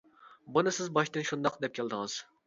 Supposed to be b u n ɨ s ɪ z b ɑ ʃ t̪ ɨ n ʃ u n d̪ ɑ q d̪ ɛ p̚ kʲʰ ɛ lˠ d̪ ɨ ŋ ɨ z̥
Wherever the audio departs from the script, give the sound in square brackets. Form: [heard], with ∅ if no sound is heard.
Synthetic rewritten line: b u n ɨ s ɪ z b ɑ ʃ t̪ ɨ n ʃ u n d̪ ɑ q d̪ ɛ p̚ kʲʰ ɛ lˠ d̪ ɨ ŋ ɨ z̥